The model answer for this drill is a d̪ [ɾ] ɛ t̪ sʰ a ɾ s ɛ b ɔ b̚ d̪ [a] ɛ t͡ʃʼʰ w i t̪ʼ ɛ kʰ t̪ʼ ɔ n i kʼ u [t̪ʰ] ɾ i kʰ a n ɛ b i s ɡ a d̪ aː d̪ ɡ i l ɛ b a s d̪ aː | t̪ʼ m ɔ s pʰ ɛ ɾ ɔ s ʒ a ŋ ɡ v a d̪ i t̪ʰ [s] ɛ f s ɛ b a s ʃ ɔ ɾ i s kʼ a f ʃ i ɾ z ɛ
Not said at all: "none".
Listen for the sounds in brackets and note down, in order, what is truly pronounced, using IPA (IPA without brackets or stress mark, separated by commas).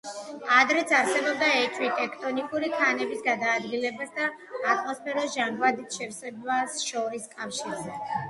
ɾ, a, none, ʃ